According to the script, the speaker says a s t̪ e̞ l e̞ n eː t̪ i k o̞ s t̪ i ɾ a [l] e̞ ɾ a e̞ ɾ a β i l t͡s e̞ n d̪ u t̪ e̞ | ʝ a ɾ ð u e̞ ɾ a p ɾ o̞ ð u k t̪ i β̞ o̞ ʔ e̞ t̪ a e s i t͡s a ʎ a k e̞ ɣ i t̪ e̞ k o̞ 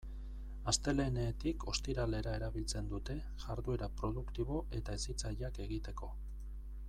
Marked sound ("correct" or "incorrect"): correct